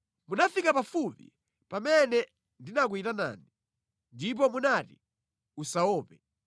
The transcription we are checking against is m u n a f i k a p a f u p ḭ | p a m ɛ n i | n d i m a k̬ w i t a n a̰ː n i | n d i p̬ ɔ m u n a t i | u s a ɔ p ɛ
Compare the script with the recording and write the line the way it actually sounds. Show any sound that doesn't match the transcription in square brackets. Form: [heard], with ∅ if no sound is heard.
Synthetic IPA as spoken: m u n a f i k a p a f u p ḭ | p a m ɛ n [ɛ] | n d i [n] a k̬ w i t a n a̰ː n i | n d i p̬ ɔ m u n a t i | u s a [ɔː] p ɛ